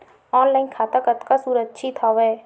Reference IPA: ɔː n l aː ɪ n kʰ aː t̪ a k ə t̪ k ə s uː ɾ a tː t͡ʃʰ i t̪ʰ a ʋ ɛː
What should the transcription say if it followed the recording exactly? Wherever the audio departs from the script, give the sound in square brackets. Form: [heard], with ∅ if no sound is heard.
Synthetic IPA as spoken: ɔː n l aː ɪ n kʰ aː t̪ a k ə t̪ k [a] s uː ɾ [ə] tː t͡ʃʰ i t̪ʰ a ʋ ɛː